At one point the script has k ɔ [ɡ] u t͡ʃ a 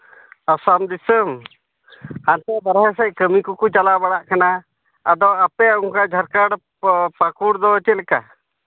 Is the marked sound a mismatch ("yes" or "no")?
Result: yes